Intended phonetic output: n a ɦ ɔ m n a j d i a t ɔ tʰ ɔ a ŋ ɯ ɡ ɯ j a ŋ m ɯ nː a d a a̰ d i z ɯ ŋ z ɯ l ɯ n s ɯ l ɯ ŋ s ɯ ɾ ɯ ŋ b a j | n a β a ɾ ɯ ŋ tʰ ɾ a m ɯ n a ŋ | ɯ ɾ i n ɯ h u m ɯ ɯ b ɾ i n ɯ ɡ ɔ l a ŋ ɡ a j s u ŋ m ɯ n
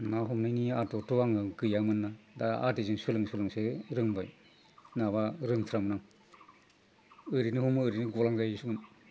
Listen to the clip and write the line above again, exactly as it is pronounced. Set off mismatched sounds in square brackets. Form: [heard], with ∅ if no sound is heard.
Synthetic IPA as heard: n a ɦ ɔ m n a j [n] i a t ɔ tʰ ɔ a ŋ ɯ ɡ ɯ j a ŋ m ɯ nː a d a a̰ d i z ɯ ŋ [s] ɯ l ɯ [ŋ] s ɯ l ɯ ŋ s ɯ ɾ ɯ ŋ b a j | n a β a ɾ ɯ ŋ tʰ ɾ a m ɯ n a ŋ | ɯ ɾ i n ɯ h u m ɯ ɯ [∅] ɾ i n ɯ ɡ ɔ l a ŋ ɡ a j s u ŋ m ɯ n